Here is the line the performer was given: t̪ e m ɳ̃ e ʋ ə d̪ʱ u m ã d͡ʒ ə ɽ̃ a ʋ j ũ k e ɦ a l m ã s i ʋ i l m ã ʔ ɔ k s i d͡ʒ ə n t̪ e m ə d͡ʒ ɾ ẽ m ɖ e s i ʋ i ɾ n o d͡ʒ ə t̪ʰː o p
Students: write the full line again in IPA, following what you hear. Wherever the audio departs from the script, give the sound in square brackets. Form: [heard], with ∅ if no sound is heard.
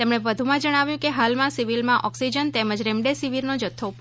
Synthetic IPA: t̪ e m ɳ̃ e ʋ ə d̪ʱ u m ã d͡ʒ ə ɽ̃ a ʋ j ũ k e ɦ a l m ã s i ʋ i l m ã ʔ ɔ k s i d͡ʒ ə n t̪ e m ə d͡ʒ ɾ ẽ m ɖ e s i ʋ i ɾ n o d͡ʒ ə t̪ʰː o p